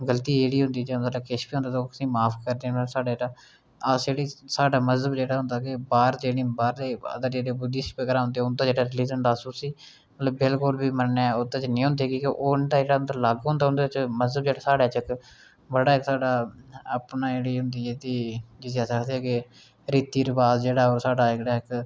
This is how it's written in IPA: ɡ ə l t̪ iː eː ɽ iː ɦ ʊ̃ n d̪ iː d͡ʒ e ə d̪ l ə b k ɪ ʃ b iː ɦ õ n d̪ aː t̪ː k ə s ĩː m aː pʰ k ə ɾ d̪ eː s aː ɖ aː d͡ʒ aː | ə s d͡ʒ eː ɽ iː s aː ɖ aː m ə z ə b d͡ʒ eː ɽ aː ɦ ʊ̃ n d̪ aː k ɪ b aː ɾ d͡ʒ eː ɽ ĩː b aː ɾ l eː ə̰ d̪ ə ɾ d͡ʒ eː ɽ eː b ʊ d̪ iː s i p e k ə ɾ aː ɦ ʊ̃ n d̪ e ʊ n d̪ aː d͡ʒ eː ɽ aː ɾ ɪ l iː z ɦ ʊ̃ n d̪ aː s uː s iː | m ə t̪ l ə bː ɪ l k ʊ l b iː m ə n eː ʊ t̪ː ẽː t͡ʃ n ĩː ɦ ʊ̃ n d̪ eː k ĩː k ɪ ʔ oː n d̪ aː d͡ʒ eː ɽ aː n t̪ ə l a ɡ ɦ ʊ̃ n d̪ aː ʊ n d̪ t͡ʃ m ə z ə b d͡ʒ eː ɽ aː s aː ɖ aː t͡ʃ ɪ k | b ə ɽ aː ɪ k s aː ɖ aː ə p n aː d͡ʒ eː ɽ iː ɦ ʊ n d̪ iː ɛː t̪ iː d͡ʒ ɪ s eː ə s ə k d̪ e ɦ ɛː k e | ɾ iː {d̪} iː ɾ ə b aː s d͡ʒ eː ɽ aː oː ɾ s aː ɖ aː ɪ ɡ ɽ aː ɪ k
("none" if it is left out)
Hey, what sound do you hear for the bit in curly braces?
t̪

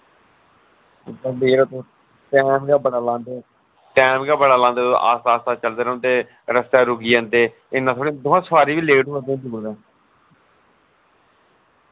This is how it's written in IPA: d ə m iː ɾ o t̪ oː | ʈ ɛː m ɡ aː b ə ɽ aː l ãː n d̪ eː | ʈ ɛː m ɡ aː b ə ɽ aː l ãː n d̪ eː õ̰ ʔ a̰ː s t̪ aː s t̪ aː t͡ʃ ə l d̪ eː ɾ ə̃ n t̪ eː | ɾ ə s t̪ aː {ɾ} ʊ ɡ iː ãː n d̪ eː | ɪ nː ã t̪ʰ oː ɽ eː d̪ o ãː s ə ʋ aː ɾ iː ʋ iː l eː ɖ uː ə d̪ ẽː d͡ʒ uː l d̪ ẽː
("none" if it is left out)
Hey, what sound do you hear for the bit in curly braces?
ɾ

